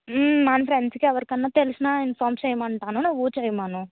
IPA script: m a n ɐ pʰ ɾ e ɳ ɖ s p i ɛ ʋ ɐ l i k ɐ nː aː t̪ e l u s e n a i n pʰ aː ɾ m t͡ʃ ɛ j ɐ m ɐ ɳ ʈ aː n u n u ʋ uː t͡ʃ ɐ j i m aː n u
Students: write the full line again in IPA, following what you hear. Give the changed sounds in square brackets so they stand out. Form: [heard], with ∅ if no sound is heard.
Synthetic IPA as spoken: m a n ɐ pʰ ɾ e ɳ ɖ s [k] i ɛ ʋ ɐ [ɾ] i k ɐ nː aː t̪ e l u s [i] n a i n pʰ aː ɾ m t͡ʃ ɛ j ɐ m ɐ ɳ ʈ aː n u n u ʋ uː t͡ʃ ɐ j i m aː n u